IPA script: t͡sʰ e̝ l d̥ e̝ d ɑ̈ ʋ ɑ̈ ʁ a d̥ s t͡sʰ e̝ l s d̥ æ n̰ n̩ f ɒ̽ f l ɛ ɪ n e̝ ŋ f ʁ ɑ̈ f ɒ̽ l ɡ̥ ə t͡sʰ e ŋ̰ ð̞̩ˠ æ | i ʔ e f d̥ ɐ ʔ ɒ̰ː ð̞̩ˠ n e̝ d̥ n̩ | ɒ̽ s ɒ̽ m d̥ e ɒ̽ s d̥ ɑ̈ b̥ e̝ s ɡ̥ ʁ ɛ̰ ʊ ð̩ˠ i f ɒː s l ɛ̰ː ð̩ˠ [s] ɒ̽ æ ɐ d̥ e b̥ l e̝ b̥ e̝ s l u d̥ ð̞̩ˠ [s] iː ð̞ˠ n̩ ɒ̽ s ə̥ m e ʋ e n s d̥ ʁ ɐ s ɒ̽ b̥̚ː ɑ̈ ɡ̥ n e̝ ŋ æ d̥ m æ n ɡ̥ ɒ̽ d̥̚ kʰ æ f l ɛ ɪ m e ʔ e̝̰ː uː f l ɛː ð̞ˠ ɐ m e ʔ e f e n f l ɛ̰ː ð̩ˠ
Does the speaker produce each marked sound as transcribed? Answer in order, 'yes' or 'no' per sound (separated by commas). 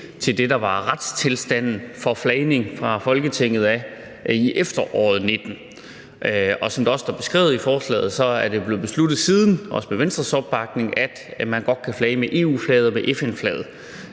yes, yes